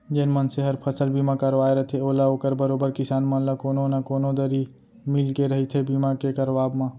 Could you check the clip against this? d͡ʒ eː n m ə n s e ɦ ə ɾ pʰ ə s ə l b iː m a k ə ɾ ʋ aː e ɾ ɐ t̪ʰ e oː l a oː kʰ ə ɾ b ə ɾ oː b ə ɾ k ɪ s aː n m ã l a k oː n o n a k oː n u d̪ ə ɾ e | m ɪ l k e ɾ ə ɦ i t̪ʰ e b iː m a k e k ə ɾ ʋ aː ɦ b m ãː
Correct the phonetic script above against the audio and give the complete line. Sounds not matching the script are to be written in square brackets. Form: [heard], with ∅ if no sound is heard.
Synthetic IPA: d͡ʒ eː n m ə n s e ɦ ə ɾ pʰ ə s ə l b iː m a k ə ɾ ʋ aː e ɾ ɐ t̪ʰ e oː l a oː [k] ə ɾ b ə ɾ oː b ə ɾ k ɪ s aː n m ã l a k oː n o n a k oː n [o] d̪ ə ɾ [i] | m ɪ l k e ɾ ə ɦ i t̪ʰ e b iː m a k e k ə ɾ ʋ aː [∅] b m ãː